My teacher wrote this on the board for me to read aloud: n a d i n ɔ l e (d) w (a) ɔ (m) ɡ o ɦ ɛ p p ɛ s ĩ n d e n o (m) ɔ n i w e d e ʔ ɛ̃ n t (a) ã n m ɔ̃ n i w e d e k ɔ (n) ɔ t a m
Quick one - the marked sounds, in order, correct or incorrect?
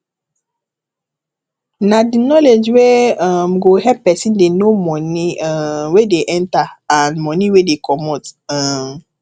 incorrect, incorrect, correct, correct, correct, incorrect

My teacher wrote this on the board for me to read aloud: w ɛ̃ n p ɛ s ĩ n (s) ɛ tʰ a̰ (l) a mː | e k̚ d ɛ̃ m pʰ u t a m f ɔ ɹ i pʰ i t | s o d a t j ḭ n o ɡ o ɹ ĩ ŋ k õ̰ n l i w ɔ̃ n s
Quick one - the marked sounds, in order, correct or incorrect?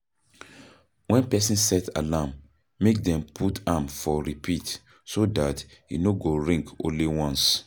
correct, correct

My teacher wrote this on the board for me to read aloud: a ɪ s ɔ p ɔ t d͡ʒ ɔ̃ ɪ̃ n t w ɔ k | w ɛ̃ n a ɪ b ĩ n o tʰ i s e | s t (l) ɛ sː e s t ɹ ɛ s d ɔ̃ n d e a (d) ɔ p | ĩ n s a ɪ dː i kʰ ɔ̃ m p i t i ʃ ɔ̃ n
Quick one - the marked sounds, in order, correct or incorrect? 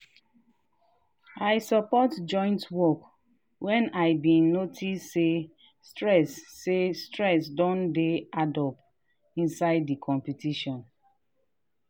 incorrect, correct

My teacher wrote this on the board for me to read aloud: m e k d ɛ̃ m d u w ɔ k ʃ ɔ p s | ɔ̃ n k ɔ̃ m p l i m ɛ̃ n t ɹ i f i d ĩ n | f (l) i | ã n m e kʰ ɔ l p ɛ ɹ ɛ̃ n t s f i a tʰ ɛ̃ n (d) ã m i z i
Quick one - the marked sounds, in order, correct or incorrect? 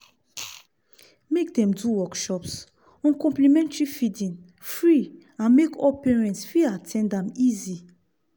incorrect, correct

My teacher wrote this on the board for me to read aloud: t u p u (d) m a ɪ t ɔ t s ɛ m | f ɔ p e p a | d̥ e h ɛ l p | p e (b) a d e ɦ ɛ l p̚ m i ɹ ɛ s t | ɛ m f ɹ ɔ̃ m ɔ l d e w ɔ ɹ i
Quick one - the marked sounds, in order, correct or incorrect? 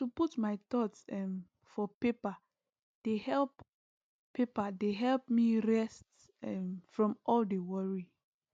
incorrect, incorrect

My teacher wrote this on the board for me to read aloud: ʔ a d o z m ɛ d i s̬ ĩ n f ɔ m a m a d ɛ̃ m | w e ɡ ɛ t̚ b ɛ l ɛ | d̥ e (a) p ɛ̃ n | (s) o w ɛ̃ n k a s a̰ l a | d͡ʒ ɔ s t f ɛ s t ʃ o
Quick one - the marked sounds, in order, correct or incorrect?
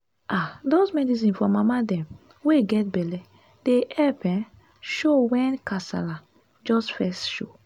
incorrect, incorrect

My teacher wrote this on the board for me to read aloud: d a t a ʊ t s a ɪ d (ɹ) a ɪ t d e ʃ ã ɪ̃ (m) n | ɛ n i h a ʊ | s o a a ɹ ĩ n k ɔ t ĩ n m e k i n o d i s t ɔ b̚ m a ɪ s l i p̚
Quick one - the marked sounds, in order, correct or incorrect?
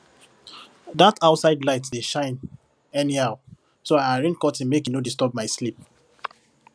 incorrect, incorrect

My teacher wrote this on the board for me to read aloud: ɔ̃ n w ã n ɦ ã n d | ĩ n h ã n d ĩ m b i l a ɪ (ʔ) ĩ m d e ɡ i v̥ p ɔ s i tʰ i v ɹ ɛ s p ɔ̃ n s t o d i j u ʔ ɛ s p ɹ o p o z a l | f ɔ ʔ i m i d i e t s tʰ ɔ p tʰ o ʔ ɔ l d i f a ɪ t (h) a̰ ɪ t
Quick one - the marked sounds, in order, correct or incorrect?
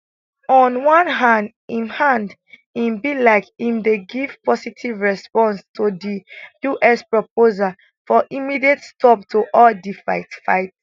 incorrect, incorrect

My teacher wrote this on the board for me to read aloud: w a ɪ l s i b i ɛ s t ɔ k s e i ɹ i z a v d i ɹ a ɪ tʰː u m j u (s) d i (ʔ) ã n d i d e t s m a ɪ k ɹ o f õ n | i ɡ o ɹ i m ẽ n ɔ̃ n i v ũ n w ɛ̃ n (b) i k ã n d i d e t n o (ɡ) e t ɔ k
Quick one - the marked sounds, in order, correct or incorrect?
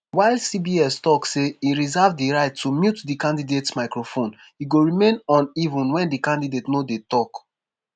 incorrect, incorrect, incorrect, incorrect

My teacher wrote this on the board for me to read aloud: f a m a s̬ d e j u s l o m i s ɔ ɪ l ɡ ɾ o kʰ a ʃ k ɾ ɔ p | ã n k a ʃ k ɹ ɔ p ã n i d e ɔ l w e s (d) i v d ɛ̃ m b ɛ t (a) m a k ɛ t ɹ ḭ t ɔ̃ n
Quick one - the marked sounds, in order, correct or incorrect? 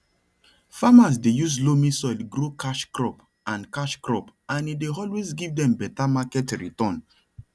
incorrect, correct

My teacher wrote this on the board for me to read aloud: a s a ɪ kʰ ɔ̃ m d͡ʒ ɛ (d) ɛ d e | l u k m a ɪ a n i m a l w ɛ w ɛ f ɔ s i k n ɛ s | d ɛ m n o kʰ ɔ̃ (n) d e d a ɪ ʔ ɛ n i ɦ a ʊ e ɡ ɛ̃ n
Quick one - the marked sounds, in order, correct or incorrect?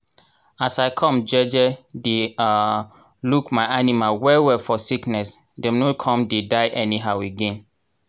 incorrect, incorrect

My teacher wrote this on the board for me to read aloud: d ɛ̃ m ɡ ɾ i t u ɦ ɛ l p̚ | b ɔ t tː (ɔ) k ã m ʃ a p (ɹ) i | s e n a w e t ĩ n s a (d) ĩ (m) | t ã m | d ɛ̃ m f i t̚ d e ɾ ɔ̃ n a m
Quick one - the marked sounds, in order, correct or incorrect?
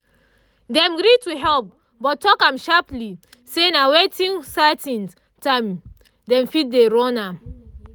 correct, incorrect, incorrect, incorrect

